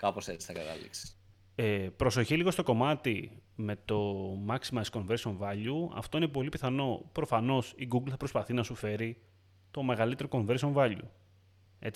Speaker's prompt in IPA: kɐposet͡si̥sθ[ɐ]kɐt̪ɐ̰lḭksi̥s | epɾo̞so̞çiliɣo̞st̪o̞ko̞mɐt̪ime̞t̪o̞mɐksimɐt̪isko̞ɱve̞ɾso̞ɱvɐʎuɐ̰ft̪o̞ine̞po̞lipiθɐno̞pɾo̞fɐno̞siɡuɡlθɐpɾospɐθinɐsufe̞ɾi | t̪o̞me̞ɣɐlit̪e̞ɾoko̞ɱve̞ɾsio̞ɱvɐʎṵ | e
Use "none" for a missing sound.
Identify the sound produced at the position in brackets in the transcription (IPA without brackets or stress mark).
ɐ